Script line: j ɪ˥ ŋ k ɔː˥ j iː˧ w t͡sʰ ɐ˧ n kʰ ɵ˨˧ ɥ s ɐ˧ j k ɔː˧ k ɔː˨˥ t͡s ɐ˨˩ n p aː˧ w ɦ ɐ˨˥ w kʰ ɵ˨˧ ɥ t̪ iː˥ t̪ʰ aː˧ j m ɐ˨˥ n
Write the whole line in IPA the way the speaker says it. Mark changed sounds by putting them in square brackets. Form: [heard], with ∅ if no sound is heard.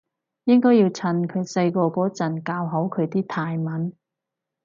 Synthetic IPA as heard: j ɪ˥ ŋ k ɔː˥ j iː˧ w t͡sʰ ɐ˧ n kʰ ɵ˨˧ ɥ s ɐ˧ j k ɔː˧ k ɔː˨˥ t͡s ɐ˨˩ n [k] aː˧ w ɦ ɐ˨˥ w kʰ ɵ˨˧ ɥ t̪ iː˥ t̪ʰ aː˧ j m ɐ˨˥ n